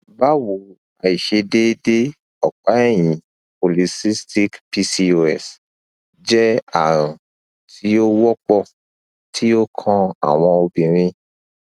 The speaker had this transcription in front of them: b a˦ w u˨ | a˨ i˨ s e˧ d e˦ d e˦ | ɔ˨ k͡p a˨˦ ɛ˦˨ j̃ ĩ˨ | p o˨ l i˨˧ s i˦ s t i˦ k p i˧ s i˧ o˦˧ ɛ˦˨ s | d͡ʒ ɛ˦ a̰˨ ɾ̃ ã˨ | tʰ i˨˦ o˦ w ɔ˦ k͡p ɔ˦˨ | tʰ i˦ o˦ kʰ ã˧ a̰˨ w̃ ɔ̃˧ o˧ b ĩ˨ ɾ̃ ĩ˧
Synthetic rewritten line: b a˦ w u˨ | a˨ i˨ ʃ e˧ d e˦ d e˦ | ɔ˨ k͡p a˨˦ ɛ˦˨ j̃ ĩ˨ | p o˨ l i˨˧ s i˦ s t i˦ k p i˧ s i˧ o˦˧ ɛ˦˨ s | d͡ʒ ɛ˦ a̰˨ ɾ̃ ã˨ | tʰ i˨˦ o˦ w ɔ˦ k͡p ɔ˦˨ | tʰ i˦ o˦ kʰ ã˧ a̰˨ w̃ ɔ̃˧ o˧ b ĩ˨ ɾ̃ ĩ˧